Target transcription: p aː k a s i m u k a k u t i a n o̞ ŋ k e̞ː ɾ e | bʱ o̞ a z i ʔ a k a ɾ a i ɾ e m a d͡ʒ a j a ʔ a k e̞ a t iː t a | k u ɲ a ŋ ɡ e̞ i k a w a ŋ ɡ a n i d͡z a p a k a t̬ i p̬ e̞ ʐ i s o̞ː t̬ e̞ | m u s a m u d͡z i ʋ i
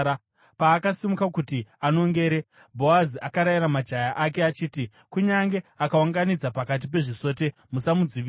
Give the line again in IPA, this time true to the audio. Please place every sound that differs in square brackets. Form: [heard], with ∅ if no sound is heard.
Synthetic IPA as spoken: p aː k a s i m u k a k u t i a n o̞ ŋ [ɡ] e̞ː ɾ e | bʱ o̞ a z i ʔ a k a ɾ a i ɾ [a] m a d͡ʒ a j a ʔ a k e̞ a [t͡ʃ] iː t [i] | k u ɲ a ŋ ɡ e̞ [a] k a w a ŋ ɡ a n i d͡z a p a k a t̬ i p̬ e̞ ʐ i s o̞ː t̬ e̞ | m u s a m u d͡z i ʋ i